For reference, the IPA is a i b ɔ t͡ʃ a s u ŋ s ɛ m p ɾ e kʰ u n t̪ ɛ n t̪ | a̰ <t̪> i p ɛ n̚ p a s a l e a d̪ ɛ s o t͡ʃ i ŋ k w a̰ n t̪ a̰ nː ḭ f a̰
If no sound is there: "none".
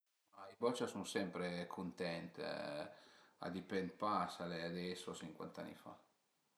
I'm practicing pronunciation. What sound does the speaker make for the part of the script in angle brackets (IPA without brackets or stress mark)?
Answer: d̪